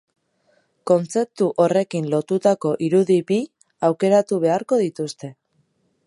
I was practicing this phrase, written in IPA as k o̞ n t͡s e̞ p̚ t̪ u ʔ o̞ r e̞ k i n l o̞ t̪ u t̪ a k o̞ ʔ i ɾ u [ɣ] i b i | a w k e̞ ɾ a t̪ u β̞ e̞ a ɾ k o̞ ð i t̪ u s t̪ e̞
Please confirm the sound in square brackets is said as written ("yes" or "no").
no